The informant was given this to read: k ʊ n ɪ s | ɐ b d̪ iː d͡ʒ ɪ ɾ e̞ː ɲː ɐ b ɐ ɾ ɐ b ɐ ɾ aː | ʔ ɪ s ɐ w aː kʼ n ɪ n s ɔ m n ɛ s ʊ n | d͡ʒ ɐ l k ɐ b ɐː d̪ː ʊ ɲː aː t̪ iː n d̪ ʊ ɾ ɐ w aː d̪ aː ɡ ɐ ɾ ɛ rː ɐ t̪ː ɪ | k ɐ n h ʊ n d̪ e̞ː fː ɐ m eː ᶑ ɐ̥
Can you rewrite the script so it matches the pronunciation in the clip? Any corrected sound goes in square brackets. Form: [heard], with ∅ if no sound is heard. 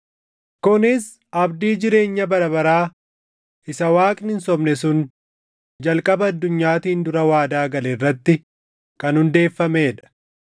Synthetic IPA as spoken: k ʊ n ɪ s | ɐ b d̪ iː d͡ʒ ɪ ɾ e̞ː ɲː ɐ b ɐ ɾ ɐ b ɐ ɾ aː | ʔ ɪ s ɐ w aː kʼ n ɪ n s ɔ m n ɛ s ʊ n | d͡ʒ ɐ l [kʼ] ɐ b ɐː d̪ː ʊ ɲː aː t̪ iː n d̪ ʊ ɾ ɐ w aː d̪ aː ɡ ɐ [l] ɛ rː ɐ t̪ː ɪ | k ɐ n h ʊ n d̪ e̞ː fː ɐ m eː ᶑ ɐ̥